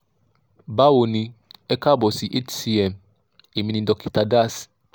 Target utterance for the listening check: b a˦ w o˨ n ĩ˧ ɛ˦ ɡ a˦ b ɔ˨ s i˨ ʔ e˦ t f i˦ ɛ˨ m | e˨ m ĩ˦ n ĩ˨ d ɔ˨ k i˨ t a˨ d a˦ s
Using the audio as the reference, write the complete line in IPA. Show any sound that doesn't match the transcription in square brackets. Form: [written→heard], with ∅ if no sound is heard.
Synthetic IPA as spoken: b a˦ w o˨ n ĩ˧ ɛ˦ [ɡ→k] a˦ b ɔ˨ s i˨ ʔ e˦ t [f→s] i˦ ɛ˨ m | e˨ m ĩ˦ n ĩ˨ d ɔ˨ k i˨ t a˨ d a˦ s